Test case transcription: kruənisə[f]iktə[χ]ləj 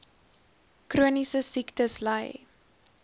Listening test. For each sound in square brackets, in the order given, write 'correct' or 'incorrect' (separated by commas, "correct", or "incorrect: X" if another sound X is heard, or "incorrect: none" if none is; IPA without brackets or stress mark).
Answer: incorrect: s, incorrect: s